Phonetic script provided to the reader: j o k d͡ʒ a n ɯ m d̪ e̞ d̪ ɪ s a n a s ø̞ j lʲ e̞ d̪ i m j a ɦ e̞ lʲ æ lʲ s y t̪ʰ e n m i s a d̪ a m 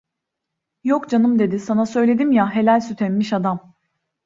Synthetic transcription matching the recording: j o k d͡ʒ a n ɯ m d̪ e̞ d̪ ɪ s a n a s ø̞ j lʲ e̞ d̪ i m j a ɦ e̞ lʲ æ lʲ s y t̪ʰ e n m i ʃ a d̪ a m